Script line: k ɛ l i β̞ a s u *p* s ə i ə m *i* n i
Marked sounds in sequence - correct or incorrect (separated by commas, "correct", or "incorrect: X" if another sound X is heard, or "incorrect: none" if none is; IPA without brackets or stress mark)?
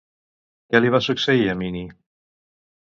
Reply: incorrect: k, correct